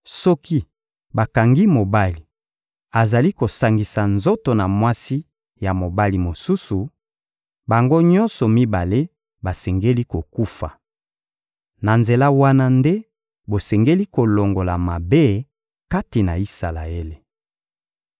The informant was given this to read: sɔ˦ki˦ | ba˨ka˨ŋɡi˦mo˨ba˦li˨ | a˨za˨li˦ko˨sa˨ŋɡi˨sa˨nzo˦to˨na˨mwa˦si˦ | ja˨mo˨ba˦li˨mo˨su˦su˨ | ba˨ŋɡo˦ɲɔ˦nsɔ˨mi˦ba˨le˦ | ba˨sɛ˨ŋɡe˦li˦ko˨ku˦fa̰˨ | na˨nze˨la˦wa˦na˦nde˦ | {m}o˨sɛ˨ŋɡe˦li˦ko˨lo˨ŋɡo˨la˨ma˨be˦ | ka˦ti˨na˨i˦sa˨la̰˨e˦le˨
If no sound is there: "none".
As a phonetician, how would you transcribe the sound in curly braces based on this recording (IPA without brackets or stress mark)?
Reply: b